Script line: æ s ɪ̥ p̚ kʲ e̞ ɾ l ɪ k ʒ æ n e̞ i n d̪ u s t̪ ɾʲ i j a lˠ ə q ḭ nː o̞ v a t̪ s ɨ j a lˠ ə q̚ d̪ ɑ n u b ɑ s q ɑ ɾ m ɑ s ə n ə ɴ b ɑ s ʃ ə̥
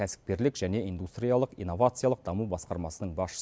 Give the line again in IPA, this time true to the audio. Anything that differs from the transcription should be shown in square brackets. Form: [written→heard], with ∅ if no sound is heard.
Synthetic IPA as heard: æ s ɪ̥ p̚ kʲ e̞ ɾ l ɪ k ʒ æ n e̞ i n d̪ u s t̪ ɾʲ i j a lˠ ə q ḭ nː o̞ v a t̪ s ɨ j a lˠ ə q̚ d̪ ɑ [n→m] u b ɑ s q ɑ ɾ m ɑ s ə n ə ɴ b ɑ s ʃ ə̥